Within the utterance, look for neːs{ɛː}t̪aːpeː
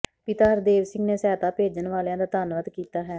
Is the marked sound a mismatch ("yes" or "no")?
no